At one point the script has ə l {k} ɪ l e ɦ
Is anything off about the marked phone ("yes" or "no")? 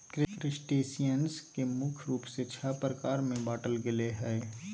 yes